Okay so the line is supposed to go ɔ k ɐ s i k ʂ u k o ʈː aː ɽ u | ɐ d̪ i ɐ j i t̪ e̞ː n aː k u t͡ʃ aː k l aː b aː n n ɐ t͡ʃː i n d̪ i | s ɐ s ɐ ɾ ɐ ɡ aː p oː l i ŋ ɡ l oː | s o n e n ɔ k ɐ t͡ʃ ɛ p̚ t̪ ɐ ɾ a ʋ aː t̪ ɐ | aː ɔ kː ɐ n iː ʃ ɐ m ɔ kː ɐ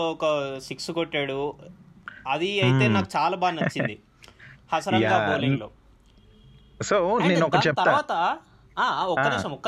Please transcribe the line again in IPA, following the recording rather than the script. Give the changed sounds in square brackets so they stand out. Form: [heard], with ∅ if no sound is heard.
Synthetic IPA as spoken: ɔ k ɐ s i k [s] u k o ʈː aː ɽ u | ɐ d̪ i ɐ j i t̪ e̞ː n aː k u t͡ʃ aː [∅] l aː b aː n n ɐ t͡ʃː i n d̪ i | [h] ɐ s ɐ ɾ ɐ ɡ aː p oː l i ŋ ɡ l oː | s o n e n ɔ k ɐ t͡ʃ ɛ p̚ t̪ ɐ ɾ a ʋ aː t̪ ɐ | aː ɔ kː ɐ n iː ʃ ɐ m ɔ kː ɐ